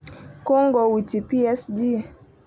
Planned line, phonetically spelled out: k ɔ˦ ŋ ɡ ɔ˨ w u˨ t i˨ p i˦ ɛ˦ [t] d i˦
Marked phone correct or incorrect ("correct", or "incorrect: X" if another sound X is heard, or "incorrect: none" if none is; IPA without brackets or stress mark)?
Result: incorrect: s